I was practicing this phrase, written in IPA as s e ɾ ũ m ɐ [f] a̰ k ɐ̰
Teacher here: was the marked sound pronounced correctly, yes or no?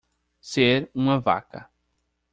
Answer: no